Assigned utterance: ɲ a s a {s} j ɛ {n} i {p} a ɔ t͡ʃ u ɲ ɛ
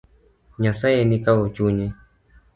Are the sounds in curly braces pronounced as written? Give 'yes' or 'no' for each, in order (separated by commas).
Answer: no, yes, no